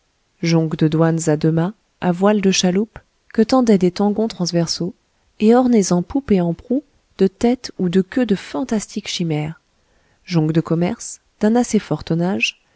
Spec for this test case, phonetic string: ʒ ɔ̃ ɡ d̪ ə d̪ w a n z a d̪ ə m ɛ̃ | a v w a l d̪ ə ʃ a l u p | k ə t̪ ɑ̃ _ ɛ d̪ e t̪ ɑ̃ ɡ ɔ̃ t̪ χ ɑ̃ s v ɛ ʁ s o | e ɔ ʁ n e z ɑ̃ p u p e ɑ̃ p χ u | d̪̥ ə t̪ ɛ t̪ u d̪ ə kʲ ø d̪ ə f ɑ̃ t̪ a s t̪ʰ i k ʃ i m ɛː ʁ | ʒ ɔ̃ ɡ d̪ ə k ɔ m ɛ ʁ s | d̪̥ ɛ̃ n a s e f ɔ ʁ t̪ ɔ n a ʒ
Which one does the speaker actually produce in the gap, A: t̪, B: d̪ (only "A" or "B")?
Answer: B